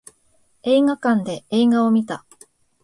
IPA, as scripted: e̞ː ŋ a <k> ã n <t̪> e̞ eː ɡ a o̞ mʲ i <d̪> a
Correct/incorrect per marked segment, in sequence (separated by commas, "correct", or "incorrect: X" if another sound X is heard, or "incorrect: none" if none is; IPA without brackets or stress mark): correct, incorrect: d̪, incorrect: t̪